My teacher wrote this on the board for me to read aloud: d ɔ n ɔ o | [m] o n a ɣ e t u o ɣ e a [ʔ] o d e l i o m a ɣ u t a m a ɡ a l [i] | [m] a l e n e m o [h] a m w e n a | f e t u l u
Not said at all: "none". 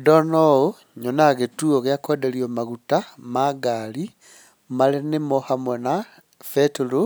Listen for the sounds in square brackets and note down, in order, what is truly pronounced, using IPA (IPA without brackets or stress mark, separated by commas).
ɲ, k, i, m, h